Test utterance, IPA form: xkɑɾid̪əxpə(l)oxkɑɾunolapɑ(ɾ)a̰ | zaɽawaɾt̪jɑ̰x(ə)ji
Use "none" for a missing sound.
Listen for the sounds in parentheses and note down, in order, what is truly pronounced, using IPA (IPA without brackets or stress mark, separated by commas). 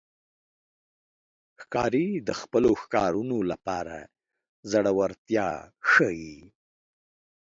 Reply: l, ɾ, ə